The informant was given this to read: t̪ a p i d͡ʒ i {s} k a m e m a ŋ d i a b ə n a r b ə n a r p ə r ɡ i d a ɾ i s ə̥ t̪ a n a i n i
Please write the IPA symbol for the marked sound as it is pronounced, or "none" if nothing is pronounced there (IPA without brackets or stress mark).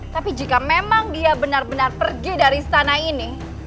none